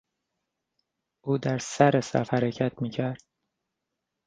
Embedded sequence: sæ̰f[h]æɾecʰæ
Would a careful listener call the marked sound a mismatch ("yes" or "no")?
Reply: no